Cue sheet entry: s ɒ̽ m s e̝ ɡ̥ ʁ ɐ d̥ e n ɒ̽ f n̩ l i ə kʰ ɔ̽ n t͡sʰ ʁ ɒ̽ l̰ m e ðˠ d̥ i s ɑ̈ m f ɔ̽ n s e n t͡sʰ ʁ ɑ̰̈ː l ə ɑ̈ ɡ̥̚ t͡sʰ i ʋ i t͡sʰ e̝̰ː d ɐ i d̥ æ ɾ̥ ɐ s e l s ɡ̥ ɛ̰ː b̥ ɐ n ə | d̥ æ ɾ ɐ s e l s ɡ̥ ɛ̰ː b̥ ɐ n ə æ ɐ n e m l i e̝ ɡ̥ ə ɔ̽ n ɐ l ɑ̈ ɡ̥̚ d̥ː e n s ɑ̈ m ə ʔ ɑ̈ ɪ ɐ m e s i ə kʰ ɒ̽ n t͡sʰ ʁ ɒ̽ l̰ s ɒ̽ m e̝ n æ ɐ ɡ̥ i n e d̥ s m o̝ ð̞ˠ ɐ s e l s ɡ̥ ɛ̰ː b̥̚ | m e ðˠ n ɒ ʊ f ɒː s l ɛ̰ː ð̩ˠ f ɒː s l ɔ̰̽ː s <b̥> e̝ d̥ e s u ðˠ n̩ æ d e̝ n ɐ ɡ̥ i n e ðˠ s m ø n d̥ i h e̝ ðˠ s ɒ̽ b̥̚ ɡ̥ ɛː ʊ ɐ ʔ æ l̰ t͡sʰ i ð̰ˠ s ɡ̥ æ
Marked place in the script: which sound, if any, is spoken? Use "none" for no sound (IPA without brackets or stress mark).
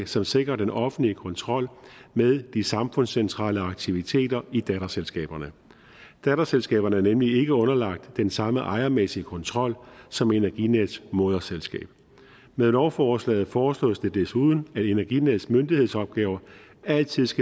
d̥